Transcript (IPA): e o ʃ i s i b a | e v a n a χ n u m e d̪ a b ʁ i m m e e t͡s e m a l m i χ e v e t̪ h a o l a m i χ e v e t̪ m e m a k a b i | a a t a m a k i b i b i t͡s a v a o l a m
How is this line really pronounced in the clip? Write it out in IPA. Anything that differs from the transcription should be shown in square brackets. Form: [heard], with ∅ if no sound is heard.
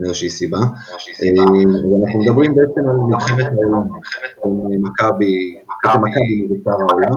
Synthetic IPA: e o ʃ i s i b a | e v a n a χ n u m e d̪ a b ʁ i m [b] e e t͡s e m a l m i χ e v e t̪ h a o l a m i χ e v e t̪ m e m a k a b i | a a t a m a k [a] b i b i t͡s a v a o l a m